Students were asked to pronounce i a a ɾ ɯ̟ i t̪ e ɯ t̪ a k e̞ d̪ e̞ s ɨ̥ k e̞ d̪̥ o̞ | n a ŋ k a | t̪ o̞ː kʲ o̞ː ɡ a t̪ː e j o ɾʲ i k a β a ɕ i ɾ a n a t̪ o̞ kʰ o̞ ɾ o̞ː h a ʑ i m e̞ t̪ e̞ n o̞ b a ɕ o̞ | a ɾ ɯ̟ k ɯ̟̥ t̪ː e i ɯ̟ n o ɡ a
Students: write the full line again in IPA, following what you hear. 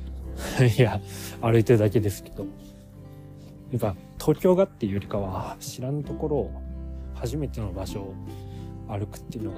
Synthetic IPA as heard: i a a ɾ ɯ̟ i t̪ e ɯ d̪ a k e̞ d̪ e̞ s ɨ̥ k e̞ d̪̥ o̞ | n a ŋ k a | t̪ʰ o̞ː kʲ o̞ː ɡ a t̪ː e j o ɾʲ i k a β a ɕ i ɾ a n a t̪ o̞ k o̞ ɾ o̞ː h a ʑ i m e̞ t̪ e̞ n o̞ b a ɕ o̞ | a ɾ ɯ̟ k ɯ̟̥ t̪ː e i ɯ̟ n o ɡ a